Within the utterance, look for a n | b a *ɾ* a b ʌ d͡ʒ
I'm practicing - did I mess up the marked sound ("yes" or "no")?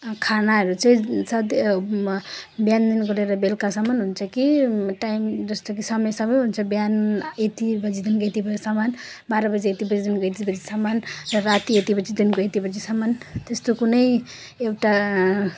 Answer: no